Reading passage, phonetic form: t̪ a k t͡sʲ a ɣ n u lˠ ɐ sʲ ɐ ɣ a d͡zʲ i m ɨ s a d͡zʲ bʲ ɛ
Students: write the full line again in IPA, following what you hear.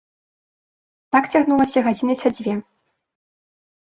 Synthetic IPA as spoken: t̪ a k t͡sʲ a ɣ n u lˠ ɐ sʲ ɐ ɣ a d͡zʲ i n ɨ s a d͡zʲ vʲ ɛ